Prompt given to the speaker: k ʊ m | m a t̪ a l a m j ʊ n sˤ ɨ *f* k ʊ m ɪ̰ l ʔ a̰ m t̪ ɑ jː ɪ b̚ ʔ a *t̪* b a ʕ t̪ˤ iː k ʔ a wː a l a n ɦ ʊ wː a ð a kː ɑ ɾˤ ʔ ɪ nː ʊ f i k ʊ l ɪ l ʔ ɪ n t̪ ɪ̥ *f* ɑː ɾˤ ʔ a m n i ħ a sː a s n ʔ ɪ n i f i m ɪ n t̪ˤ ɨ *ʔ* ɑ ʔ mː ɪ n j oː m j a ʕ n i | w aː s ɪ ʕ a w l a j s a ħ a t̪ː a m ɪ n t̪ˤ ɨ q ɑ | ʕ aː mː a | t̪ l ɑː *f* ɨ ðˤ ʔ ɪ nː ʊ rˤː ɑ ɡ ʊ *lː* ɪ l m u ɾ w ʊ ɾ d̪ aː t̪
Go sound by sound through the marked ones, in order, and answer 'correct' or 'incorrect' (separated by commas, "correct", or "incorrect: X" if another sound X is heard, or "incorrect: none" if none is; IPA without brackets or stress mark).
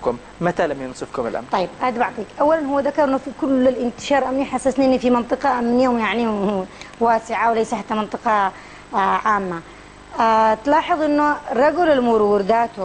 correct, incorrect: d̪, incorrect: ʃ, incorrect: q, incorrect: ħ, incorrect: l